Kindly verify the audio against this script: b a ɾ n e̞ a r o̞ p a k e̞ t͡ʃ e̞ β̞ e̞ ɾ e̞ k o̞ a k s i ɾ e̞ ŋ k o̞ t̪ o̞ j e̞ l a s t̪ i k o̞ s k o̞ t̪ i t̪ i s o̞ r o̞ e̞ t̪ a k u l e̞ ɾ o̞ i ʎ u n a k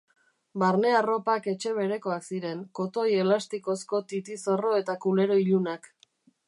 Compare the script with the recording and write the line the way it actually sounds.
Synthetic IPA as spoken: b a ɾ n e̞ a r o̞ p a k e̞ t͡ʃ e̞ β̞ e̞ ɾ e̞ k o̞ a k s i ɾ e̞ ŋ k o̞ t̪ o̞ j e̞ l a s t̪ i k o̞ s k o̞ t̪ i t̪ i s o̞ r o̞ e̞ t̪ a k u l e̞ ɾ o̞ i ʎ u n a k